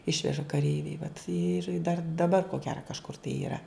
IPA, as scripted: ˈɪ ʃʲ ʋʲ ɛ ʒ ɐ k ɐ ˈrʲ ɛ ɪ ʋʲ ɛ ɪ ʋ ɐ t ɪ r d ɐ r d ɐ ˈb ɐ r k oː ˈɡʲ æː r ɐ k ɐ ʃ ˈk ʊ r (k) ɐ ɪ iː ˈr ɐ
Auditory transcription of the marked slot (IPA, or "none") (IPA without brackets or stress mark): t